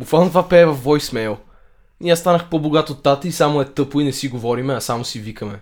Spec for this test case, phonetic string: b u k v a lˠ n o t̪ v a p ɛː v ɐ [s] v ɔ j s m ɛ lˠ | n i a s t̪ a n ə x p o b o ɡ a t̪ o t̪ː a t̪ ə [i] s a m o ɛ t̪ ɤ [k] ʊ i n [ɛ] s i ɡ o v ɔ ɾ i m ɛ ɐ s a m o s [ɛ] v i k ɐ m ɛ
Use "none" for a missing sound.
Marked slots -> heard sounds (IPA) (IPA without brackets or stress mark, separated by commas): f, i, p, ɛ, i